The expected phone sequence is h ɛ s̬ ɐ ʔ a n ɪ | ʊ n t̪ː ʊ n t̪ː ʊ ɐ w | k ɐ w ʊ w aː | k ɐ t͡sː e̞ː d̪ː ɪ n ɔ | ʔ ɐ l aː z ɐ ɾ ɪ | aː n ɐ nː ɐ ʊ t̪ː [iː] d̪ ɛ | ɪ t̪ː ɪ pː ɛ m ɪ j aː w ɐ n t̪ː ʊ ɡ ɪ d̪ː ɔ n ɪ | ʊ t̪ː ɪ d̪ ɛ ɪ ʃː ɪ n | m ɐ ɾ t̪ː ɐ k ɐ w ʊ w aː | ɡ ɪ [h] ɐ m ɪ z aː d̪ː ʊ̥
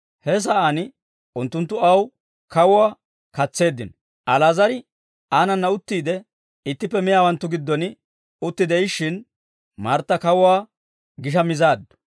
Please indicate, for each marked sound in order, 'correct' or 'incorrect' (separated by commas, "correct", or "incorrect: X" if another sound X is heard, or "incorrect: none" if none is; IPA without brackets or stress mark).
correct, incorrect: ʃ